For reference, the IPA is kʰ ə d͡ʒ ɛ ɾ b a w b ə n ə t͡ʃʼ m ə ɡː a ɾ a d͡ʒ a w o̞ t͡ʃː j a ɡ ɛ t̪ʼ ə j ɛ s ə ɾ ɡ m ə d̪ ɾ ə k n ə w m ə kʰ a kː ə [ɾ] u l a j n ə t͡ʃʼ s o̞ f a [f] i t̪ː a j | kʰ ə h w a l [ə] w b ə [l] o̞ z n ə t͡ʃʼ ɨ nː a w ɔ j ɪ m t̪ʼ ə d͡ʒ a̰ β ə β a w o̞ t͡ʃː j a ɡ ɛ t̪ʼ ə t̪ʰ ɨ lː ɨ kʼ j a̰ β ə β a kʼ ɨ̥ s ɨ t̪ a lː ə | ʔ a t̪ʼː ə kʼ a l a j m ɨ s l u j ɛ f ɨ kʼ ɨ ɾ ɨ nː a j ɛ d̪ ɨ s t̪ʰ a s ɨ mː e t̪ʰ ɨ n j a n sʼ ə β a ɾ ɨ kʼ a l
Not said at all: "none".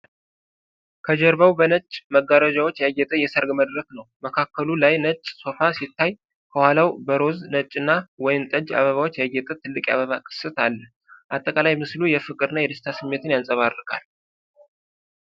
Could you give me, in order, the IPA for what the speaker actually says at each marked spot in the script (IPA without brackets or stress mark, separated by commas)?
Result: l, s, a, ɾ